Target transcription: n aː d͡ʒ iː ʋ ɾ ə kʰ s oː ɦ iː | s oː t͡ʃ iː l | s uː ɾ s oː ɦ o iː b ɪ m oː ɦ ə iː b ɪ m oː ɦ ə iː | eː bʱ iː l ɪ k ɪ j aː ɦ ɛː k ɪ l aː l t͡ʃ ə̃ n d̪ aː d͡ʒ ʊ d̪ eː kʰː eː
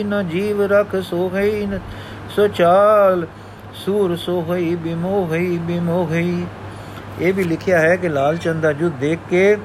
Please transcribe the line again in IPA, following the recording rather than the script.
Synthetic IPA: n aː d͡ʒ iː ʋ ɾ ə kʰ s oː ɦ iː | s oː t͡ʃ aː l | s uː ɾ s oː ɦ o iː b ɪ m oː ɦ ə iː b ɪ m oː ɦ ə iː | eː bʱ iː l ɪ kʰ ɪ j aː ɦ ɛː k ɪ l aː l t͡ʃ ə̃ n d̪ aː d͡ʒ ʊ d̪ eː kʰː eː